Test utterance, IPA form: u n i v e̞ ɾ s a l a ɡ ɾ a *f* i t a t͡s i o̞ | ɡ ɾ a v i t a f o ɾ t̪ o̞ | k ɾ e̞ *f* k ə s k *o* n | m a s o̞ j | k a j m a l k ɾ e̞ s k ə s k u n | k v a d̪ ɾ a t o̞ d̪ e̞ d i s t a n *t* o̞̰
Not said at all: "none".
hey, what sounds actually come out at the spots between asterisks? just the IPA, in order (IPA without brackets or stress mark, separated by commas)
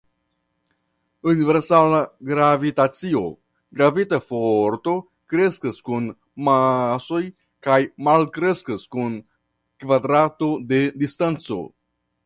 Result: v, s, u, t͡s